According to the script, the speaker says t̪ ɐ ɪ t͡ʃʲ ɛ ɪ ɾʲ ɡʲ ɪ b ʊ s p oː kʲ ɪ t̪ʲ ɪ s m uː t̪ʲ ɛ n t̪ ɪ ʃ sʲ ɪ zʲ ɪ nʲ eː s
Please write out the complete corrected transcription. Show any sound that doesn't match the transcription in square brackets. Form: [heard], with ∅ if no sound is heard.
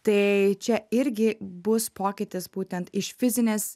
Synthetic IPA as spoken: t̪ ɐ ɪ t͡ʃʲ ɛ ɪ ɾʲ ɡʲ ɪ b ʊ s p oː kʲ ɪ t̪ʲ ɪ s [b] uː t̪ʲ ɛ n t̪ ɪ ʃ [fʲ] ɪ zʲ ɪ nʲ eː s

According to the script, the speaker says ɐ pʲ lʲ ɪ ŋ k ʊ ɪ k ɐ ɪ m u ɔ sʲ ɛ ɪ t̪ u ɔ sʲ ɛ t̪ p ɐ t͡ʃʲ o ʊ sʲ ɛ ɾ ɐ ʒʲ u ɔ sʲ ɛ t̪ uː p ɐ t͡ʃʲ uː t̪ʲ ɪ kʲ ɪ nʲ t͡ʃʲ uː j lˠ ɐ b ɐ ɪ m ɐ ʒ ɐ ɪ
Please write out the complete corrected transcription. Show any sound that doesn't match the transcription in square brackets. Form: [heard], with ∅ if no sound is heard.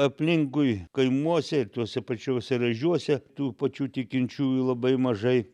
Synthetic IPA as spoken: ɐ pʲ lʲ ɪ ŋ k ʊ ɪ k ɐ ɪ m u ɔ sʲ ɛ ɪ t̪ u ɔ sʲ ɛ [∅] p ɐ t͡ʃʲ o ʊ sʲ ɛ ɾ ɐ ʒʲ u ɔ sʲ ɛ t̪ uː p ɐ t͡ʃʲ uː t̪ʲ ɪ kʲ ɪ nʲ t͡ʃʲ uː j lˠ ɐ b ɐ ɪ m ɐ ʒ ɐ ɪ

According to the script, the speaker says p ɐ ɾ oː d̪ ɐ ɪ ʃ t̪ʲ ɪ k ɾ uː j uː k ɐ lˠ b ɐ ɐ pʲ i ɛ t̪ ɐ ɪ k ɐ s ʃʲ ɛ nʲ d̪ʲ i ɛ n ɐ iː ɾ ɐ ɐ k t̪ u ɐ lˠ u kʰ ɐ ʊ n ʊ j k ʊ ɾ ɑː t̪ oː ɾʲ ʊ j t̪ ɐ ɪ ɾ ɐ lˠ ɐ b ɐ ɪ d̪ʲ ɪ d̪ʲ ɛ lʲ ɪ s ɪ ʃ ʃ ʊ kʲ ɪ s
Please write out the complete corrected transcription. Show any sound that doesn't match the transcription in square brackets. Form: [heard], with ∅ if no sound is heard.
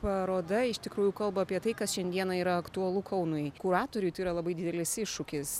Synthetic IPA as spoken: p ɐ ɾ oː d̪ ɐ ɪ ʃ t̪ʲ ɪ k ɾ uː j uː k ɐ lˠ b ɐ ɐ pʲ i ɛ t̪ ɐ ɪ k ɐ s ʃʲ ɛ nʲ d̪ʲ i ɛ n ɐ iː ɾ ɐ ɐ k t̪ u ɐ lˠ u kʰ ɐ ʊ n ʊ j k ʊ ɾ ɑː t̪ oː ɾʲ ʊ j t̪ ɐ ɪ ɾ ɐ lˠ ɐ b ɐ ɪ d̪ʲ ɪ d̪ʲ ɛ lʲ ɪ s ɪ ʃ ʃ ʊ kʲ ɪ s

